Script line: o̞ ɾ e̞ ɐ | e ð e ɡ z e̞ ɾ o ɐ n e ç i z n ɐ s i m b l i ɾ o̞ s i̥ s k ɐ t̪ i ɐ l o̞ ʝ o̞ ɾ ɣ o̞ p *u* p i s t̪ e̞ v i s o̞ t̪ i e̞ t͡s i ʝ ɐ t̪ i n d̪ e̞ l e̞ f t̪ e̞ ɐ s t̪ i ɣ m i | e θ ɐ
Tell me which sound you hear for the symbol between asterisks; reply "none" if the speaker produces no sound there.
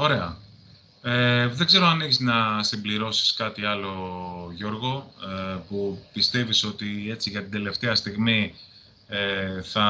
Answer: u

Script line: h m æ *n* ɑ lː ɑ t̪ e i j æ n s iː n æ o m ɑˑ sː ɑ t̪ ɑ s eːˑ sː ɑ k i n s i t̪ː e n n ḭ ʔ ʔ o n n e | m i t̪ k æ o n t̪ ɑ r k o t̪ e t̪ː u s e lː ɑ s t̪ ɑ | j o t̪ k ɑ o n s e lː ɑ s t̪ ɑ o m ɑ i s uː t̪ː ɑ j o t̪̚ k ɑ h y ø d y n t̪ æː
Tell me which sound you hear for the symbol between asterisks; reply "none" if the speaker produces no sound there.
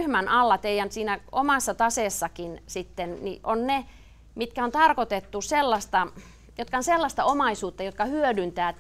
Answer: n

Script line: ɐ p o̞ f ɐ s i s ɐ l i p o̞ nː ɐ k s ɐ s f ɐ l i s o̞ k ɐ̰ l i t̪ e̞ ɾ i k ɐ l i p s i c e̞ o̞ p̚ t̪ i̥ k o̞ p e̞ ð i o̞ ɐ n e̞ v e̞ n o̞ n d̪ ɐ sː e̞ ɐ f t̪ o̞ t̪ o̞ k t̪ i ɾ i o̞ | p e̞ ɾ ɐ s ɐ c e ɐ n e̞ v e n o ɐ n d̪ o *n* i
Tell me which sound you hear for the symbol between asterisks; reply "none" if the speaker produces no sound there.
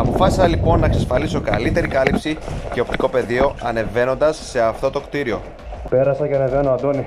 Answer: n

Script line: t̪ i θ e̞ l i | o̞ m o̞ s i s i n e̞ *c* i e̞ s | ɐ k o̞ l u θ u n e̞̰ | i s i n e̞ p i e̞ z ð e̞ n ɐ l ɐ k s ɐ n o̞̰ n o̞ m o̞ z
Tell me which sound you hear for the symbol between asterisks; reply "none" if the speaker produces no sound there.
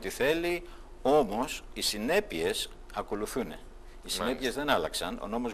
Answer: p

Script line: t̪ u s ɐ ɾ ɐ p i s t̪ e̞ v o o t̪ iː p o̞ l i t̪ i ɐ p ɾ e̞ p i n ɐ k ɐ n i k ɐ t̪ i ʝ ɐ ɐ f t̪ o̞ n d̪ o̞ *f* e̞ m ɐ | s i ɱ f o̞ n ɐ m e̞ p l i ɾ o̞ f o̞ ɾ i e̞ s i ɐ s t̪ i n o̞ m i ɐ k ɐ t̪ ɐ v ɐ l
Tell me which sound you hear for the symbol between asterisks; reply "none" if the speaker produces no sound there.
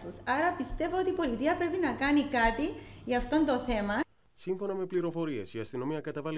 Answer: θ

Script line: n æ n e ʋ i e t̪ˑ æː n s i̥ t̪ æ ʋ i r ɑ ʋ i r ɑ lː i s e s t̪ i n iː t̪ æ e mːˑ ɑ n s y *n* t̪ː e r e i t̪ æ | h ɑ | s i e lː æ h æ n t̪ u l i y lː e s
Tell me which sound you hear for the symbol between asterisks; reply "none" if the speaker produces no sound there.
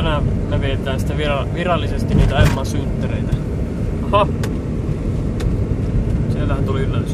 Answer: n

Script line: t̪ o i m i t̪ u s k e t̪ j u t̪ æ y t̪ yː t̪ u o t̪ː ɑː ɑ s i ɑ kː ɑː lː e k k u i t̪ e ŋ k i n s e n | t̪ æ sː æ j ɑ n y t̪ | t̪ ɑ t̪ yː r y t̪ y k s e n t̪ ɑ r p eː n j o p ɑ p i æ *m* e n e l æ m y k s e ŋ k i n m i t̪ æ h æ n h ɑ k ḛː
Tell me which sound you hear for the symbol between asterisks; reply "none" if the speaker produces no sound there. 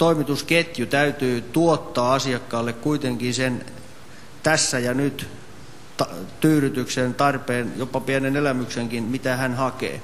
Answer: n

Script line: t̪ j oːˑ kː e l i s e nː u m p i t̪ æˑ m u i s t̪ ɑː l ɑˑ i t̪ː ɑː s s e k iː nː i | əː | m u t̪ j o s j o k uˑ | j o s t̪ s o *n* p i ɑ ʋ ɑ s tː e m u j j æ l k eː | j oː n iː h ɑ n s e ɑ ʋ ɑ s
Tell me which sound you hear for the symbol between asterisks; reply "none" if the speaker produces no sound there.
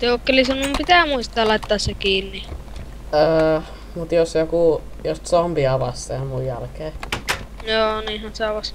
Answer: m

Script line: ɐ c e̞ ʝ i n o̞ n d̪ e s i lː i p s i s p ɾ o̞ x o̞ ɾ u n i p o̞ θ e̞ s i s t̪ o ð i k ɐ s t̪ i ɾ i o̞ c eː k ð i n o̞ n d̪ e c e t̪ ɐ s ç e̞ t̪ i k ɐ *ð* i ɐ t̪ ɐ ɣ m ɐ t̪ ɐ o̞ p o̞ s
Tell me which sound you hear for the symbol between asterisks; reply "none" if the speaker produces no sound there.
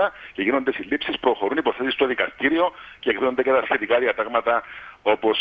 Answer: ð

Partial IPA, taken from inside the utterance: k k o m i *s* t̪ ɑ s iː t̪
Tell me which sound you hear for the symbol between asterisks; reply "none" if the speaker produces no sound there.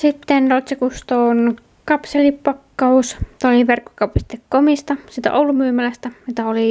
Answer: s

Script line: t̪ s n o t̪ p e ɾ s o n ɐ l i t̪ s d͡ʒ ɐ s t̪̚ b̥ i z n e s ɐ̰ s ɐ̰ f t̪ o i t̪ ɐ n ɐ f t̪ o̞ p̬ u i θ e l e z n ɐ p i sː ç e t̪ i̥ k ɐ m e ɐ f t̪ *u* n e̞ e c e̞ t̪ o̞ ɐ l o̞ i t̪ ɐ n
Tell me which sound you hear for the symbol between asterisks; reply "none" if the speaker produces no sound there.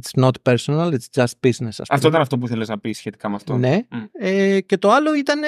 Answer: o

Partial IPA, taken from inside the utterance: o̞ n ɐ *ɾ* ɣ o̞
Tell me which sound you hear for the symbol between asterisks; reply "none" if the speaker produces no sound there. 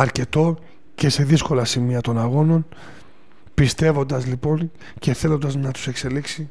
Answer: none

